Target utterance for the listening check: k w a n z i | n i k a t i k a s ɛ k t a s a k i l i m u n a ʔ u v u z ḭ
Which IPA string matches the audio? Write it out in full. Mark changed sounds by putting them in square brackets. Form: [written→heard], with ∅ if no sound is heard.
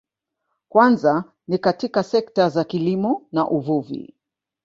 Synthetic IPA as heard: k w a n z [i→a] | n i k a t i k a s ɛ k t a [s→z] a k i l i m [u→ɔ] n a ʔ u v u [z→v] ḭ